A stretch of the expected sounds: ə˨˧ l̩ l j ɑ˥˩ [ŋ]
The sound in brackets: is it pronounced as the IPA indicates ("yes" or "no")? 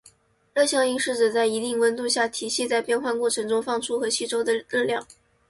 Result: yes